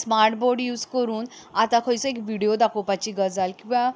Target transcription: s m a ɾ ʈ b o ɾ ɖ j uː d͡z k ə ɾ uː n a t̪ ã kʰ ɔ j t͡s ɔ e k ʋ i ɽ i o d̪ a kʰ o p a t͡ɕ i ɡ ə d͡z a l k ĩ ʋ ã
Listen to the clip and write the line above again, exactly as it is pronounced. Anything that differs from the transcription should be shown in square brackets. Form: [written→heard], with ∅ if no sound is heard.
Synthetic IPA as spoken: s m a ɾ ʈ b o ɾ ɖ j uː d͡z k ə ɾ uː n a t̪ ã kʰ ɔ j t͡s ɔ e k ʋ i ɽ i o d̪ a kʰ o p a t͡ɕ i ɡ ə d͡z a l k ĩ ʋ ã